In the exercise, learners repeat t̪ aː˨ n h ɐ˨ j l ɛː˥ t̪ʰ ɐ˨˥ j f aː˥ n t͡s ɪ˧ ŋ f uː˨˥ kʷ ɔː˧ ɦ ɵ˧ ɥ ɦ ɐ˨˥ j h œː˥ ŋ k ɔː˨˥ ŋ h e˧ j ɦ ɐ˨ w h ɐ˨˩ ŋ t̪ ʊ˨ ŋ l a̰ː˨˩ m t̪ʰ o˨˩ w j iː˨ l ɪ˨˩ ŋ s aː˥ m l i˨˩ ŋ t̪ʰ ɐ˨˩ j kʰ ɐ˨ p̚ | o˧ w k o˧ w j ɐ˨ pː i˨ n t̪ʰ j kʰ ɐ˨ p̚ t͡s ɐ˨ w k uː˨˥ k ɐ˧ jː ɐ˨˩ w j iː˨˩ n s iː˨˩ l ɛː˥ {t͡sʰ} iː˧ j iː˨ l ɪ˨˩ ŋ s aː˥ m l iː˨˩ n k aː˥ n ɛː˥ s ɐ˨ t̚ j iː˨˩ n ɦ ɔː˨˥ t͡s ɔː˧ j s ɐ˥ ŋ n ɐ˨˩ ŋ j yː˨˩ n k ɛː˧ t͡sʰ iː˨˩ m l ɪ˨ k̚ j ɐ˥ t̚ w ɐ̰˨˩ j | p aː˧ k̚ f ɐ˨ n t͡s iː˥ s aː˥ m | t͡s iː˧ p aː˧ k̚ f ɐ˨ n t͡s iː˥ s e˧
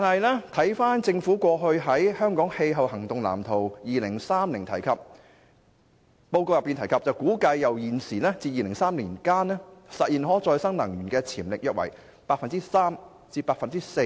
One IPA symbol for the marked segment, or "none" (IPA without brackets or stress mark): t͡s